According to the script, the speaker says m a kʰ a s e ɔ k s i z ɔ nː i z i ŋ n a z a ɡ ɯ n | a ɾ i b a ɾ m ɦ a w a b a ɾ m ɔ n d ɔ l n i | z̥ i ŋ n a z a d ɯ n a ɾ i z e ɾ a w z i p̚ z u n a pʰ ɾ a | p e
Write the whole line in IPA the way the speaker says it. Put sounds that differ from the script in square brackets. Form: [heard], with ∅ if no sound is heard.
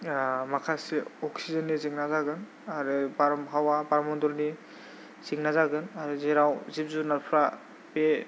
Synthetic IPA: m a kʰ a s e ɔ k s i z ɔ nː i z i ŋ n a z a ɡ ɯ n | a ɾ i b a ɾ m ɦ a w a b a ɾ m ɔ n d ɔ l n i | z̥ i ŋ n a z a [ɡ] ɯ n a ɾ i z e ɾ a w z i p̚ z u n a pʰ ɾ a | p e